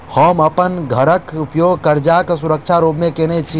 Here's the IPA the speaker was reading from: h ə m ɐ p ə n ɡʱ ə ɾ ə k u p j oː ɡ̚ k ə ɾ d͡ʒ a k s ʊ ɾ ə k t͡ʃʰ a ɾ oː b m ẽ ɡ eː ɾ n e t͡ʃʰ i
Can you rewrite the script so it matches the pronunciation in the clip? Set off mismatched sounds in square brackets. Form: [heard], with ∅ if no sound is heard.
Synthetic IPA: h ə m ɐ p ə n ɡʱ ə ɾ ə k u p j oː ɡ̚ k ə ɾ d͡ʒ a k s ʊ ɾ ə k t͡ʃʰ a ɾ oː b m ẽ [k] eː [∅] n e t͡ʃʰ i